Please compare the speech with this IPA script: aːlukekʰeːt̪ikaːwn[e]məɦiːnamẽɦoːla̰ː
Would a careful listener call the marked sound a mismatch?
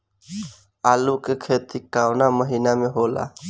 yes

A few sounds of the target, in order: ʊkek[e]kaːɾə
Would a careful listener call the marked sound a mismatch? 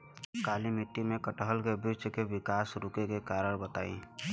no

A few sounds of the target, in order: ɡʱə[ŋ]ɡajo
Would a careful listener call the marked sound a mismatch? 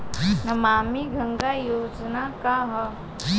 no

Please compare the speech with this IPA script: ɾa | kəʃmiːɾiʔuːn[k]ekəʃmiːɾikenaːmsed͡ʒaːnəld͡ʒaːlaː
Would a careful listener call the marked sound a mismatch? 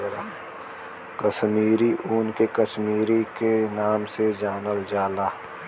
no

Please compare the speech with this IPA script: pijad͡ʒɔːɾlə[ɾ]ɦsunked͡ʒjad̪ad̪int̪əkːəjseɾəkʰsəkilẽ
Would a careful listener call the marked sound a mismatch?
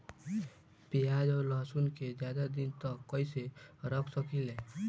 yes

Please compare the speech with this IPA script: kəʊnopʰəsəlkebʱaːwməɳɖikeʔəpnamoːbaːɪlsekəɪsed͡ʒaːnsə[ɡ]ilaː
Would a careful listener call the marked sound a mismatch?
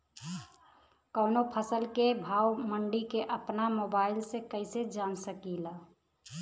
yes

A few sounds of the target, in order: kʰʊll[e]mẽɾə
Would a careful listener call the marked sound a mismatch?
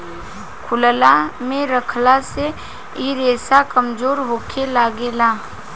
yes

